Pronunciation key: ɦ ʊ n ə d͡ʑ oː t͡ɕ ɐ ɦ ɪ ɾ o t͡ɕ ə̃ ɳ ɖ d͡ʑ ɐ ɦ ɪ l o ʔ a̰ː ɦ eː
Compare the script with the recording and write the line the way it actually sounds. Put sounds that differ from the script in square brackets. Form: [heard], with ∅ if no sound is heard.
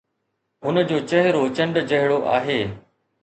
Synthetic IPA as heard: ɦ ʊ n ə d͡ʑ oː t͡ɕ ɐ ɦ ɪ ɾ o t͡ɕ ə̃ ɳ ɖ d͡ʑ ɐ ɦ ɪ [ɽ] o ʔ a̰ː ɦ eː

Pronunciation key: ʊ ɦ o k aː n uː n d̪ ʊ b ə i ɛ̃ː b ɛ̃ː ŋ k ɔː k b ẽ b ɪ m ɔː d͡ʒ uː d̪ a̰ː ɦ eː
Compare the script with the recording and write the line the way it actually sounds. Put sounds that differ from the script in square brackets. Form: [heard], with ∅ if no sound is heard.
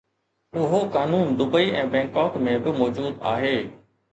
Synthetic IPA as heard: ʊ ɦ o k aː n uː n d̪ ʊ b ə i ɛ̃ː b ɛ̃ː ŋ k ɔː k [m] ẽ b ɪ m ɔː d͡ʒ uː d̪ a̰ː ɦ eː

